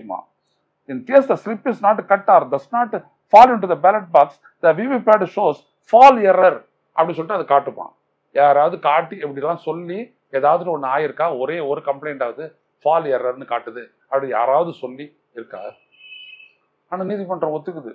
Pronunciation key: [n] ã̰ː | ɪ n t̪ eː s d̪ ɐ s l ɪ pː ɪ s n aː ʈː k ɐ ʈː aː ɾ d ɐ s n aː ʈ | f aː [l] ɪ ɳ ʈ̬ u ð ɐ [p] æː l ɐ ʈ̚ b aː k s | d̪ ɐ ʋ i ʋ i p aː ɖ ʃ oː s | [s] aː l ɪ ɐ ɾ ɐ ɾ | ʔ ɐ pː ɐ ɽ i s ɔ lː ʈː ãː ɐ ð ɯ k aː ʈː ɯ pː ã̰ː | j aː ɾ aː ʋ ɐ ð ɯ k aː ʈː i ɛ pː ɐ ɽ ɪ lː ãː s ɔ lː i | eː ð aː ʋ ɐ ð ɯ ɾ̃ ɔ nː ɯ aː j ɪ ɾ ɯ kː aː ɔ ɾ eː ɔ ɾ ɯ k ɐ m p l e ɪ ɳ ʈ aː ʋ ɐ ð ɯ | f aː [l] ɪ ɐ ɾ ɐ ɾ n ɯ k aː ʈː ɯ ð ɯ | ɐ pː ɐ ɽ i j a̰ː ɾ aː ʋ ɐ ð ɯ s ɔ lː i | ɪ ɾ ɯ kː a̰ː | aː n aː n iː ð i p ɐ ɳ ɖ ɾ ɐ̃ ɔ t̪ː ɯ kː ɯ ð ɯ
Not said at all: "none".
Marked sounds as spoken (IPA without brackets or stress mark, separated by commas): m, l, b, f, l